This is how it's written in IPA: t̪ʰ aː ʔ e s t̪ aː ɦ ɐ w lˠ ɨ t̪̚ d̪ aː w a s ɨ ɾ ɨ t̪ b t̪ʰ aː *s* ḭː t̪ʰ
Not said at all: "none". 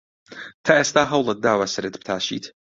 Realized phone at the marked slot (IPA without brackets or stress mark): ʃ